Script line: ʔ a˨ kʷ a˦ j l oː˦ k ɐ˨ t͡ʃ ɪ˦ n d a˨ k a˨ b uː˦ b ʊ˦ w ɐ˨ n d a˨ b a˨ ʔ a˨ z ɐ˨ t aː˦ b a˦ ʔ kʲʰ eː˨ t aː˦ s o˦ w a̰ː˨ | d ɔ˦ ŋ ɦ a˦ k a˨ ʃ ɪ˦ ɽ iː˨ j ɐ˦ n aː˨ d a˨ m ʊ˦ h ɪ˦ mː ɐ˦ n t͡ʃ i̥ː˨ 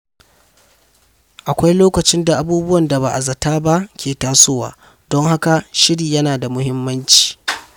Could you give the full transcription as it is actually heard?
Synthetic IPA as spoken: ʔ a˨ kʷ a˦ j l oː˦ k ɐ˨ t͡ʃ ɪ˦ n d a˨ ʔ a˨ b uː˦ b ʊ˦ w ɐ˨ n d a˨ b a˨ ʔ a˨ z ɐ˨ t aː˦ b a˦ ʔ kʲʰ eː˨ t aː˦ s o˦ w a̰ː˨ | d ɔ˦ ŋ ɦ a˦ k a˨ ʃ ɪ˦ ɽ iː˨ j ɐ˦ n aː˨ d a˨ m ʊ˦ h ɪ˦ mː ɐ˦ n t͡ʃ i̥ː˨

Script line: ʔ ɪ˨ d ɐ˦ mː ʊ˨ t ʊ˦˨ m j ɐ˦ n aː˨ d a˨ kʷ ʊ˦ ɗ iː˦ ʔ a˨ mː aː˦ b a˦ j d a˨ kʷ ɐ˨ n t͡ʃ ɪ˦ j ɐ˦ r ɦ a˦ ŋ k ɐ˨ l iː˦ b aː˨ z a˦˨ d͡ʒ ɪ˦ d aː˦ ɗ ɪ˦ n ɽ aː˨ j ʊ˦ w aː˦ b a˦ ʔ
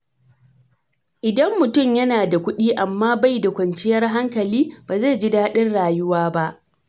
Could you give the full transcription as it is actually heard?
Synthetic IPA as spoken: ʔ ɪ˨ d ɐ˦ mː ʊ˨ t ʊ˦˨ m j ɐ˦ n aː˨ d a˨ kʷ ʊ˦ ɗ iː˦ ʔ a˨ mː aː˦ b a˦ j d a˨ kʷ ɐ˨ n t͡ʃ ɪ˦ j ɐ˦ r ɦ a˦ ŋ k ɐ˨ l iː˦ b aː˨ z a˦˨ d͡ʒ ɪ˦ d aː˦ ɗ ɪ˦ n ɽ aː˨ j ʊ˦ w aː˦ b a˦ ʔ

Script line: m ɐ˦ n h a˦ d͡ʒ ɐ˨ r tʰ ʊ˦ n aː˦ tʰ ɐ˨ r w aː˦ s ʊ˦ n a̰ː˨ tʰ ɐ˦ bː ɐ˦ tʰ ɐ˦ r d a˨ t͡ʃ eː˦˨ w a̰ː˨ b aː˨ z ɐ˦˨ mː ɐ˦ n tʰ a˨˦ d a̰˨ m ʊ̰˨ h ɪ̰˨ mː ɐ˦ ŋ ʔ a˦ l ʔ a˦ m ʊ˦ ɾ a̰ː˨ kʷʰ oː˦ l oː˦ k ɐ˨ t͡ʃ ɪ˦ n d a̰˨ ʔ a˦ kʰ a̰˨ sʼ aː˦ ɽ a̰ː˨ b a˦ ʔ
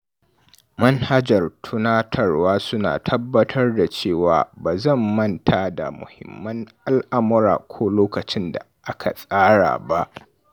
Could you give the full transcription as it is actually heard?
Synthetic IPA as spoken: m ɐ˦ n h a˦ d͡ʒ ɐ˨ r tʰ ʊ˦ n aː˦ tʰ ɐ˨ r w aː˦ s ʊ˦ n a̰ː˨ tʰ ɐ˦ bː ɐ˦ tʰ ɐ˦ r d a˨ t͡ʃ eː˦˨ w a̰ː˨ b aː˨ z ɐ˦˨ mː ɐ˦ n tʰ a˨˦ d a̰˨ m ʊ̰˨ h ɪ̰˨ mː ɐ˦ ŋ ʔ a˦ l ʔ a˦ m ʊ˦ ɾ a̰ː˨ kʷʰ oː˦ l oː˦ k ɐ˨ t͡ʃ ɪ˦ n d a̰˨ ʔ a˦ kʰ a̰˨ sʼ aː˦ ɽ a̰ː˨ b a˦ ʔ

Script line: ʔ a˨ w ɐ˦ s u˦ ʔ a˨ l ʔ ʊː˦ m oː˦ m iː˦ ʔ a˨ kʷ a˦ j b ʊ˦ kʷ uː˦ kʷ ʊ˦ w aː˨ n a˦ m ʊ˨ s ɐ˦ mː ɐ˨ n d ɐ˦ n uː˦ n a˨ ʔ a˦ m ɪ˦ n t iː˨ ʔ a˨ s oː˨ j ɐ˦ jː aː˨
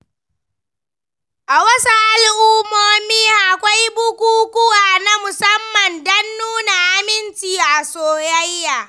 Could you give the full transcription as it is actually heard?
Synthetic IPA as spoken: ʔ a˨ w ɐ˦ s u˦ ʔ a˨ l ʔ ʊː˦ m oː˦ m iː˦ ʔ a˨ kʷ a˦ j b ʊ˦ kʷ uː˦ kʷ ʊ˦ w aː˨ n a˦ m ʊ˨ s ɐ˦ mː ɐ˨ n d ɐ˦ nː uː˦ n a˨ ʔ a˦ m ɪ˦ n t͡ʃ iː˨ ʔ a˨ s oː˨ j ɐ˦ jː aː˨

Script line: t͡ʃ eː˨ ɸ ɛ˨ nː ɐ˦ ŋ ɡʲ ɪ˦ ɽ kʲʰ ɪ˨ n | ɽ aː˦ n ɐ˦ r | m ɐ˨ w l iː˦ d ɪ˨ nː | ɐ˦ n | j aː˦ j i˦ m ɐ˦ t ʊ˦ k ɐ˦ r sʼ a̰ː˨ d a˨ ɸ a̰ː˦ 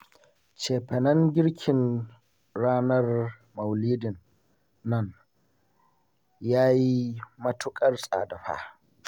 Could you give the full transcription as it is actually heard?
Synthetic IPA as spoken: t͡ʃ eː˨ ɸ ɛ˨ n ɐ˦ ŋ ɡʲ ɪ˦ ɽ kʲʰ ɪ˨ n | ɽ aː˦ n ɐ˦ r | m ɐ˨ w l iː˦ d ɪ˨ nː | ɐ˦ n | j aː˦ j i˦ m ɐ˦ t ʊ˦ kʼ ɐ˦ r sʼ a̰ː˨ d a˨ ɸ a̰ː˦

